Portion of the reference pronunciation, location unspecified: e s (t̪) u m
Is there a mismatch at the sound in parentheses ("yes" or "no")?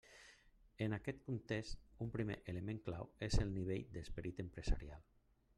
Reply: no